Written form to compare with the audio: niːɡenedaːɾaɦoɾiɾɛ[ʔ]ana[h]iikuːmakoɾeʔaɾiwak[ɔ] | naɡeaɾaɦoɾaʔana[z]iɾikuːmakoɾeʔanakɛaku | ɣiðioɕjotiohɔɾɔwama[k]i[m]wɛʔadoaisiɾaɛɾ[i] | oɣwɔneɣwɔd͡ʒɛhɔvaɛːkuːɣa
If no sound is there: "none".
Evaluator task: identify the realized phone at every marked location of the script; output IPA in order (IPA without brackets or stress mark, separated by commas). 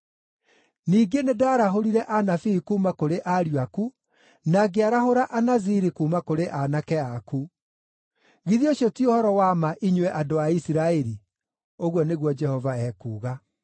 ʔ, f, u, z, ʔ, ɲ, i